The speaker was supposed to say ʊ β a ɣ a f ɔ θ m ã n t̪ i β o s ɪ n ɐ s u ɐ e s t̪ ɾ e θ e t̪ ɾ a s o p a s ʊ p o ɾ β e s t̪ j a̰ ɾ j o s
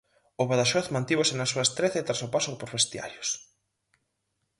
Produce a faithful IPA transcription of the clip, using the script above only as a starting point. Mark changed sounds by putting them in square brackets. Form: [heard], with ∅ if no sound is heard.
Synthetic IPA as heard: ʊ β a [ð] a [ʃ] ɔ θ m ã n t̪ i β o s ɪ n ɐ s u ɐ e s t̪ ɾ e θ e t̪ ɾ a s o p a s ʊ p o ɾ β e s t̪ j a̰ ɾ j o s

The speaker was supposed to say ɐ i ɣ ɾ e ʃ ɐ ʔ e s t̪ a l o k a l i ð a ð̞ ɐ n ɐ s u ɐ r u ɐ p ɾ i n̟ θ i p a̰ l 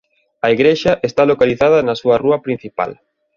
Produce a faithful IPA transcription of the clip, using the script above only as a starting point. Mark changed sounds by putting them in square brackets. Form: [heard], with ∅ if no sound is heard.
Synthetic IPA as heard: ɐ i ɣ ɾ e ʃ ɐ ʔ e s t̪ a l o k a l i [θ] a ð̞ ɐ n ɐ s u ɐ r u ɐ p ɾ i n̟ θ i p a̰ l

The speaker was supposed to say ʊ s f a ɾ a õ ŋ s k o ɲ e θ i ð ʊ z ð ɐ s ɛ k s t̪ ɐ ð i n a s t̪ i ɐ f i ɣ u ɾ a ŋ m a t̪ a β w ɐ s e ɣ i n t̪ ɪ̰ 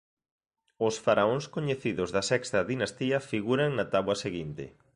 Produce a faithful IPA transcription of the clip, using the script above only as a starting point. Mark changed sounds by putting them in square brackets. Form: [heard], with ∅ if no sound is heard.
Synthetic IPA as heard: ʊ s f a ɾ a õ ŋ s k o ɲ e θ i ð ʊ z ð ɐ s ɛ k s t̪ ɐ ð i n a s t̪ i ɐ f i ɣ u ɾ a ŋ [n] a t̪ a β w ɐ s e ɣ i n t̪ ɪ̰

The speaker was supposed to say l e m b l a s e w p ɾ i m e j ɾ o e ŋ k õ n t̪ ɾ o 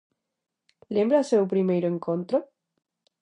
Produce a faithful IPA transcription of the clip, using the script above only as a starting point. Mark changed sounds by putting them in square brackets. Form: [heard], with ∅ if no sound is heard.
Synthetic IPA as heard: l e m b [ɾ] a s e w p ɾ i m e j ɾ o e ŋ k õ n t̪ ɾ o

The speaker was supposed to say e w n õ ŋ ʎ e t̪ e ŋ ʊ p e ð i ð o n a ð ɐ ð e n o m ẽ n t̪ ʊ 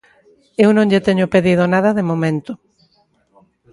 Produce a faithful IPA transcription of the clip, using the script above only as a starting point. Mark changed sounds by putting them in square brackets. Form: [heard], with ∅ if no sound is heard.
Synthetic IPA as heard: e w n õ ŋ ʎ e t̪ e [ɲ] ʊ p e ð i ð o n a ð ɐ ð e [m] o m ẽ n t̪ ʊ

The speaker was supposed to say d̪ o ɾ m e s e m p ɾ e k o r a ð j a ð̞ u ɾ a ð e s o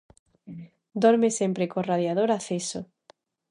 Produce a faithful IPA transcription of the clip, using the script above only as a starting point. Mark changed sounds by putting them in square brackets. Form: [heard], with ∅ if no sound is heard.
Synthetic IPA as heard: d̪ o ɾ m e s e m p ɾ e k o r a ð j a ð̞ [o] ɾ a [θ] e s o

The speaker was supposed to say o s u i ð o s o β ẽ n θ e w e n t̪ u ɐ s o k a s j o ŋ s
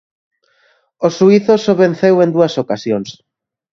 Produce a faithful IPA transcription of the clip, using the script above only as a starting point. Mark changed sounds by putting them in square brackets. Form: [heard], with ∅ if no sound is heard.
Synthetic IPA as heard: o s u i [θ] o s o β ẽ n θ e w e n [d̪] u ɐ s o k a s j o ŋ s

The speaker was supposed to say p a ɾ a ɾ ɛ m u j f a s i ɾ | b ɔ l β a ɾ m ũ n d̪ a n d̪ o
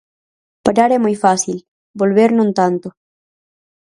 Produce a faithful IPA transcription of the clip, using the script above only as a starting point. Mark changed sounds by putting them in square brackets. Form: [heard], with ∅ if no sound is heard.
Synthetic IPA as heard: p a ɾ a ɾ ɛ m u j f a s i [l] | b [o] l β [e] ɾ [n] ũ n [t̪] a n [t̪] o

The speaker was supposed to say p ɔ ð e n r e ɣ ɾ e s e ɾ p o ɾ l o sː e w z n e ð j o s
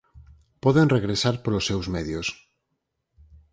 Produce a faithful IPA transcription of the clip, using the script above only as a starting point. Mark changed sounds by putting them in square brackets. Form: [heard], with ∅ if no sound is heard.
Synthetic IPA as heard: p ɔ ð e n r e ɣ ɾ e s [a] ɾ p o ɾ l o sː e w z [m] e ð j o s

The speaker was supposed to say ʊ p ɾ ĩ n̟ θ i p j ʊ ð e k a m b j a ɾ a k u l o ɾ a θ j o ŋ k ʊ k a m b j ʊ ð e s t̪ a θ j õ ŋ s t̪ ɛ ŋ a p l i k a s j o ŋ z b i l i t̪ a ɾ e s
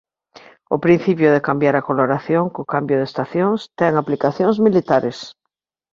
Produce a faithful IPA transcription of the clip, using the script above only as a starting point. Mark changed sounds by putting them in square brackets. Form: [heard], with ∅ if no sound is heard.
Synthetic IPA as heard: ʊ p ɾ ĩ n̟ θ i p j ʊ ð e k a m b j a ɾ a k [o] l o ɾ a θ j o ŋ k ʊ k a m b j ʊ ð e s t̪ a θ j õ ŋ s t̪ ɛ ŋ a p l i k a [θ] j o ŋ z [m] i l i t̪ a ɾ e s

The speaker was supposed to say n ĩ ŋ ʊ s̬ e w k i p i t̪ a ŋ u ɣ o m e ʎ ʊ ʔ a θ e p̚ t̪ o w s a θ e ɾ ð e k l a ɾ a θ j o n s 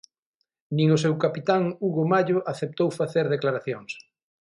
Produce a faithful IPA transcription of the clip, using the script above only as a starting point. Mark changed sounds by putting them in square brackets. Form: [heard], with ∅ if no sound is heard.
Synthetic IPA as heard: n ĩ ŋ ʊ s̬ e w k [a] p i t̪ a ŋ u ɣ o m [a] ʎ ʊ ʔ a θ e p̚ t̪ o w [f] a θ e ɾ ð e k l a ɾ a θ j o [ŋ] s

